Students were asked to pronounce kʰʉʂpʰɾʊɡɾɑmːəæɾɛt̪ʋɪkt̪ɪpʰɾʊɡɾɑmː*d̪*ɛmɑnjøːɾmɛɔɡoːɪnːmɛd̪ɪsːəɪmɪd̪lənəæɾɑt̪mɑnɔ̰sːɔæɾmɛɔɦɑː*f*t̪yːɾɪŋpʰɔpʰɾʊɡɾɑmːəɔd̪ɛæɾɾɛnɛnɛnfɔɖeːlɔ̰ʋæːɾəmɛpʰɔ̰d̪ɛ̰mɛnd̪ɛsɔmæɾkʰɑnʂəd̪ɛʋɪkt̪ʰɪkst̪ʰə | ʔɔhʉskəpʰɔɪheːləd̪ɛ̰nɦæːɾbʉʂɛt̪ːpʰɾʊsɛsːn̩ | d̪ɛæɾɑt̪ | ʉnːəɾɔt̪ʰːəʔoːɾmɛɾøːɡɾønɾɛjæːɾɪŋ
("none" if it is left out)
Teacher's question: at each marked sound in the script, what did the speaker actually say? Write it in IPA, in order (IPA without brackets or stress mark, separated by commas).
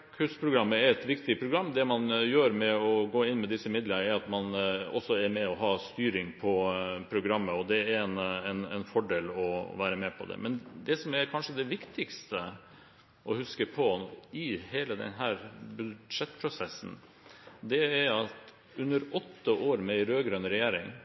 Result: d̪, s